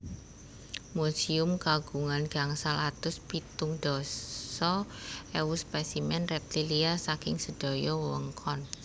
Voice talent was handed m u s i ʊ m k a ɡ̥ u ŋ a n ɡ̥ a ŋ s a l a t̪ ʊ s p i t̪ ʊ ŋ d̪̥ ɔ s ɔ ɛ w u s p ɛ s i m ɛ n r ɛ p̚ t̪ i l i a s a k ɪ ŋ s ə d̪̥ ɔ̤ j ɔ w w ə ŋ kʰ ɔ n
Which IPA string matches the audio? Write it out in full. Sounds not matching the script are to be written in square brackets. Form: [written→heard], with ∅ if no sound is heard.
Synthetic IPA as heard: m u s i ʊ m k a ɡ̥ u ŋ a n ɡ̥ a ŋ s a l a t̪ ʊ s p i t̪ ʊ ŋ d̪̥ ɔ s ɔ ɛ w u s p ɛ s i m ɛ n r ɛ p̚ t̪ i l i a s a k ɪ ŋ s ə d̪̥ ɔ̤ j ɔ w w ə ŋ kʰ ɔ n